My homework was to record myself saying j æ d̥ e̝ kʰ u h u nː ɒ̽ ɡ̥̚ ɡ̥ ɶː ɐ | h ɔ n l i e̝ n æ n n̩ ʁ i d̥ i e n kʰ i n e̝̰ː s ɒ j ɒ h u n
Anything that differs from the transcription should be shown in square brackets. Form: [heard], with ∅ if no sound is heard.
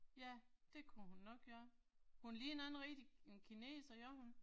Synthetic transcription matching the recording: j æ d̥ e̝ kʰ u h u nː ɒ̽ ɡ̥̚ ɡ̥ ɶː ɐ | h [u] n l [iː] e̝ n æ n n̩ ʁ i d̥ i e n kʰ i n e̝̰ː s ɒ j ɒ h u n